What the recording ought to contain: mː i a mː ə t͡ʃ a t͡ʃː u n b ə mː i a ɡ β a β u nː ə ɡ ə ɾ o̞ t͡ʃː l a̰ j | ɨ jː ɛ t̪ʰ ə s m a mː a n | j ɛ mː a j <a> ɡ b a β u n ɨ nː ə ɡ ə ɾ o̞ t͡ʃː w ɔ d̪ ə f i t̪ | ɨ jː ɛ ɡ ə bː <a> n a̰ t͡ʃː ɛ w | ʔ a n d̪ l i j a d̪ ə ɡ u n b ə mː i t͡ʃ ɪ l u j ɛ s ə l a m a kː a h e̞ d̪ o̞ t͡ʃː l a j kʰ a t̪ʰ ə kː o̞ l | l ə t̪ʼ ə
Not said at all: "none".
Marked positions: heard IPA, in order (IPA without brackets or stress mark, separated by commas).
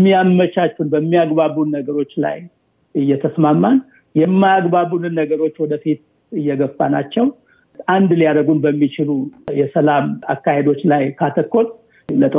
a, a